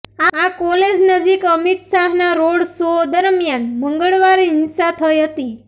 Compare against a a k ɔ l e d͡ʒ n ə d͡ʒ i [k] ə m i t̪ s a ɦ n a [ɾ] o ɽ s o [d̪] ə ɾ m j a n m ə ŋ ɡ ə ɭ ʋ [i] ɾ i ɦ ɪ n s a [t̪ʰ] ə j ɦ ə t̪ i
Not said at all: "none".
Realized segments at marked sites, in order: k, ɾ, d̪, a, t̪ʰ

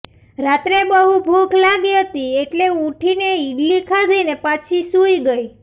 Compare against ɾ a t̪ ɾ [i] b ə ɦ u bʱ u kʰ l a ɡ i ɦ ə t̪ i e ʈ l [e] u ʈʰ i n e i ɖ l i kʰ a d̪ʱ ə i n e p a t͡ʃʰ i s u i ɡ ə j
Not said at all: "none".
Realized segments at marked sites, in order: e, e

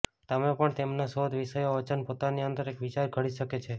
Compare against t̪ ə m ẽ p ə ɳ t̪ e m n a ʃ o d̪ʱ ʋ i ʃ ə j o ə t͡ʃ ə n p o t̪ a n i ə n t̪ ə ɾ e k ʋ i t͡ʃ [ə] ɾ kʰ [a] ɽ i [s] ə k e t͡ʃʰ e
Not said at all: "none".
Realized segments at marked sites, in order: a, ə, ʃ

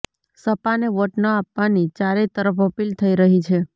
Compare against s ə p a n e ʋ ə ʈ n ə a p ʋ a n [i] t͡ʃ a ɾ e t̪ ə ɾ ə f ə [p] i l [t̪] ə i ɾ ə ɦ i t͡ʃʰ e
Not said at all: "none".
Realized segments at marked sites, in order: i, p, t̪ʰ

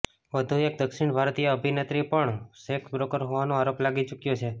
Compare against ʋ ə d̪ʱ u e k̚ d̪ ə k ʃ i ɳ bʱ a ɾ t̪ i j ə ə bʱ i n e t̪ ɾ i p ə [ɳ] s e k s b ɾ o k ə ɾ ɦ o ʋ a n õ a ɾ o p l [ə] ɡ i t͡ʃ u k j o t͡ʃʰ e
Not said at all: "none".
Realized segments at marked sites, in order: ɳ, a

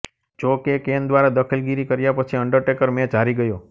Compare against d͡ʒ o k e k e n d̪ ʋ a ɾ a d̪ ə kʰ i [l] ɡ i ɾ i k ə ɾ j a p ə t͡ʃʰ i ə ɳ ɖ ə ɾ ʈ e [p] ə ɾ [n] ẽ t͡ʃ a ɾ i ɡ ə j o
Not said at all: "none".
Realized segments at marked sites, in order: l, k, m

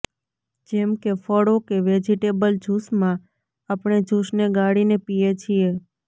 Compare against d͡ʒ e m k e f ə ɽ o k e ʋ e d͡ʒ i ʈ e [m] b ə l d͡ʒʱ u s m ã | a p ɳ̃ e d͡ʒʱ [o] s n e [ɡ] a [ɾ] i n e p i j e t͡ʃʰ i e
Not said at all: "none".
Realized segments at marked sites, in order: none, u, ɡ, ɽ

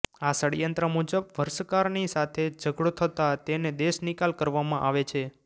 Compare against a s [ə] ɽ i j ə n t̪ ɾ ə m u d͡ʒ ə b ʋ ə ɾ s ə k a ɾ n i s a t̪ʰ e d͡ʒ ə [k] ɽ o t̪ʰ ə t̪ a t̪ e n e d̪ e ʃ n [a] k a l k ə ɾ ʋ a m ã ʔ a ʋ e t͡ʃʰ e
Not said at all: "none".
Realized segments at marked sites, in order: ə, ɡ, i

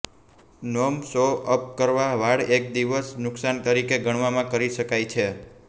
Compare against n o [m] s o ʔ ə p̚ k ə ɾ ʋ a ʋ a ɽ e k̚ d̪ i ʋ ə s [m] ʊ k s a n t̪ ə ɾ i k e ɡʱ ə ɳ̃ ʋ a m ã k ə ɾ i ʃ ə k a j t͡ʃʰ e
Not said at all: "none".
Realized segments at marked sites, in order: m, n

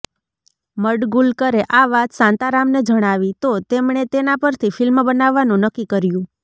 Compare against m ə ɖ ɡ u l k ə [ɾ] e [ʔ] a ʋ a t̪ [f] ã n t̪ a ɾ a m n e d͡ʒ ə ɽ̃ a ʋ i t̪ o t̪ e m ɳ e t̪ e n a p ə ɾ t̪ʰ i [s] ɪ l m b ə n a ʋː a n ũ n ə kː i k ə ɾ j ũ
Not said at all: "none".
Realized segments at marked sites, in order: ɾ, ʔ, s, f

